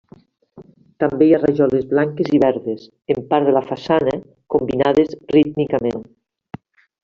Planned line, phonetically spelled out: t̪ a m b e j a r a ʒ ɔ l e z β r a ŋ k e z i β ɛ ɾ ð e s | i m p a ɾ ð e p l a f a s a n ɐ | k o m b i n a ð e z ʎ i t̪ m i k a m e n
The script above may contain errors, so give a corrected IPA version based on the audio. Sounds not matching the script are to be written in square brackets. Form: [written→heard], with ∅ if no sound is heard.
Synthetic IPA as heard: t̪ a m b e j a r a ʒ ɔ l e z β [r→l] a ŋ k e z i β ɛ ɾ ð e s | [i→e] m p a ɾ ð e [p→∅] l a f a s a n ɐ | k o m b i n a ð e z [ʎ→r] i t̪ m i k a m e n

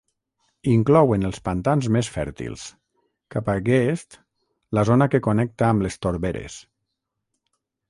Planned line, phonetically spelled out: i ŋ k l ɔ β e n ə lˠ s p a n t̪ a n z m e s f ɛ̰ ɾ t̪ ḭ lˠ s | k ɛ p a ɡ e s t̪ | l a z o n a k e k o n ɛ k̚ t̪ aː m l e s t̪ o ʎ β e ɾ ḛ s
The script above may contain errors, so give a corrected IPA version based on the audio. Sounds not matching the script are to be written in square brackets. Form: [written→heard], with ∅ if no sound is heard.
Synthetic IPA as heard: i ŋ k l ɔ [β→w] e n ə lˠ s p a n t̪ a n z m e s f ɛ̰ ɾ t̪ ḭ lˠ s | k [ɛ→a] p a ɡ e s t̪ | l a z o n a k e k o n ɛ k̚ t̪ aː m l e s t̪ o [ʎ→ɾ] β e ɾ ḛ s

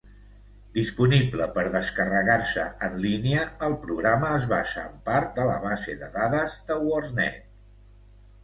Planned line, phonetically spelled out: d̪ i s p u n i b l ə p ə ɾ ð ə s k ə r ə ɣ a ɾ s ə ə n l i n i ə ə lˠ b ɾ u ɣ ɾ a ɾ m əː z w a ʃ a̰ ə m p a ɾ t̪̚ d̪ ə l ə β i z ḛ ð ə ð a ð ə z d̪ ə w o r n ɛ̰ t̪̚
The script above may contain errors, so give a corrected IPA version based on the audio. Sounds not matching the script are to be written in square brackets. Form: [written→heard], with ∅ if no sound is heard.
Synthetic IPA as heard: d̪ i s p u n i b l ə p ə ɾ ð ə s k ə r ə ɣ a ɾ s ə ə n l i n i ə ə lˠ [b→p] ɾ u ɣ ɾ a [ɾ→∅] m əː z [w→β] a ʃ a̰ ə m p a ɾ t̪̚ d̪ ə l ə β [i→a] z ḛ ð ə ð a ð ə z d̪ ə w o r n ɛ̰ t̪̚

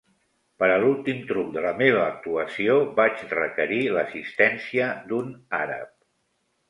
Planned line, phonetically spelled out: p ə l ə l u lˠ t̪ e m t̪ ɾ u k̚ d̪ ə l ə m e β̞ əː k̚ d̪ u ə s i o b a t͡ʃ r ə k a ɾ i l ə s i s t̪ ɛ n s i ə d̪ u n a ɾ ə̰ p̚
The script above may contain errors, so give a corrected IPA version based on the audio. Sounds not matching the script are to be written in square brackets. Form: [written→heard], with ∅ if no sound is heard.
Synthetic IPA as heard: p ə [l→ɾ] ə l u lˠ t̪ [e→i] m t̪ ɾ u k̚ d̪ ə l ə m e β̞ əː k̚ [d̪→t̪] u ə s i o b a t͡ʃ r ə k [a→ə] ɾ i l ə s i s t̪ ɛ n s i ə d̪ u n a ɾ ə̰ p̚

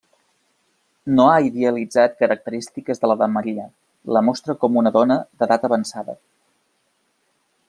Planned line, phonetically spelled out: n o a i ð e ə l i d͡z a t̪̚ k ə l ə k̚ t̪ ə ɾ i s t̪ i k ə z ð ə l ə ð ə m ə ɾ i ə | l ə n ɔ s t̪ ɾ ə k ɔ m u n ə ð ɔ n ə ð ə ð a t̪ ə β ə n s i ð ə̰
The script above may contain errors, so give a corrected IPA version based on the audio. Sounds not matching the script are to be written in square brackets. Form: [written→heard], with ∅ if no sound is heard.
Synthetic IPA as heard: n o a i ð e ə l i d͡z a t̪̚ k ə [l→ɾ] ə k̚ t̪ ə ɾ i s t̪ i k ə z ð ə l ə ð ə m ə ɾ i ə | l ə [n→m] ɔ s t̪ ɾ ə k ɔ m u n ə ð ɔ n ə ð ə ð a t̪ ə β ə n s [i→a] ð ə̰

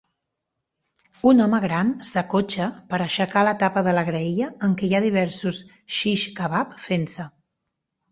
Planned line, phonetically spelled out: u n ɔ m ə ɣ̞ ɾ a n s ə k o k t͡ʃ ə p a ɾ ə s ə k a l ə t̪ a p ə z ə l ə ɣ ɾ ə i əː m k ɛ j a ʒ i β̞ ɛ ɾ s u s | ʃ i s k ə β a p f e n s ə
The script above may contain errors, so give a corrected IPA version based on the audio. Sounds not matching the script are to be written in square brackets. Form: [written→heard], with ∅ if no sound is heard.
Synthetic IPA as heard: u n ɔ m ə ɣ̞ ɾ a n s ə k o [k→∅] t͡ʃ ə p [a→ə] ɾ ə [s→ʃ] ə k a l ə t̪ a p ə [z→ð] ə l ə ɣ ɾ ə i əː [m→ŋ] k ɛ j a [ʒ→ð] i β̞ ɛ ɾ s u s | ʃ i [s→ʃ] k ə β a p f e n s ə

